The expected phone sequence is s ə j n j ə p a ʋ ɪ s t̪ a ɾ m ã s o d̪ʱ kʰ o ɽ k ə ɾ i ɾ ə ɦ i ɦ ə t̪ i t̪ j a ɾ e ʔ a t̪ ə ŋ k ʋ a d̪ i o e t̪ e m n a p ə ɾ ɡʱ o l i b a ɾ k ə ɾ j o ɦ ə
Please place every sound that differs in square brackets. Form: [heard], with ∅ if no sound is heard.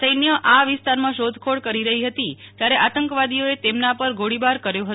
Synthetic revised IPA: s ə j n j ə [ʔ] a ʋ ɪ s t̪ a ɾ m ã [ʃ] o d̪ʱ kʰ o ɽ k ə ɾ i ɾ ə ɦ i ɦ ə t̪ i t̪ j a ɾ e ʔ a t̪ ə ŋ k ʋ a d̪ i o e t̪ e m n a p ə ɾ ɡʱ o [ɽ] i b a ɾ k ə ɾ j o ɦ ə